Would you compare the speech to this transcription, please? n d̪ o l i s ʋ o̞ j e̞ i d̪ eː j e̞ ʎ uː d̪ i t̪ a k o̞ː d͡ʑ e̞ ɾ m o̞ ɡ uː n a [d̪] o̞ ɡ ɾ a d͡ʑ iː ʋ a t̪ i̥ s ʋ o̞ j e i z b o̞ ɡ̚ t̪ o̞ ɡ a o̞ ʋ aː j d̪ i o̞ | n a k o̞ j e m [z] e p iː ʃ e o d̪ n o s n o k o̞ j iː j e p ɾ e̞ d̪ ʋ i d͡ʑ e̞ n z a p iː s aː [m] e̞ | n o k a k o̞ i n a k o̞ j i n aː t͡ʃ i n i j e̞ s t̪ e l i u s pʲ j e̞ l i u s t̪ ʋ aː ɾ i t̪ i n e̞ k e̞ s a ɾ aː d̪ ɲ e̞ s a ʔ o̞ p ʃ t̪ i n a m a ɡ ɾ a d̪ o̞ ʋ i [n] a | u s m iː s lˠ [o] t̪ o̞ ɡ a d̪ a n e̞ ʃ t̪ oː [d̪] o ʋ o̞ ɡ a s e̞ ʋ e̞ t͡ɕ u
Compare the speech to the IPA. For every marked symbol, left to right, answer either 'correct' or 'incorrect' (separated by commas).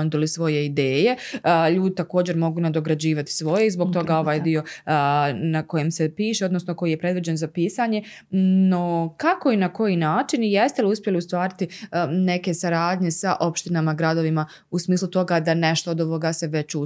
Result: correct, incorrect, incorrect, incorrect, incorrect, correct